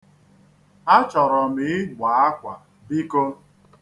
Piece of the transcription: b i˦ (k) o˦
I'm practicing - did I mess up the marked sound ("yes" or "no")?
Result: no